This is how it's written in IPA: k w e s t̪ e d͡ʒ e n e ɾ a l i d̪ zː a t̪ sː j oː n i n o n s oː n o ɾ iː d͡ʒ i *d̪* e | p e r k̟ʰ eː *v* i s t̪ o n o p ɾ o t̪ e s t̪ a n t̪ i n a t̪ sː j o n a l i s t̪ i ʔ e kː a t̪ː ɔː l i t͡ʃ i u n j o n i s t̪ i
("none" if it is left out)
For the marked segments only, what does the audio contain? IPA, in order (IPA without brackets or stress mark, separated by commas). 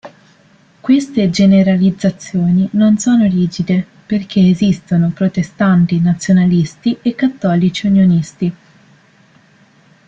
d̪, z